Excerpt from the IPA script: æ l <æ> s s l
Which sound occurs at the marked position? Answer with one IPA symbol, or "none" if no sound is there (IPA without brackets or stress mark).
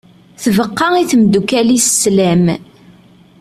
i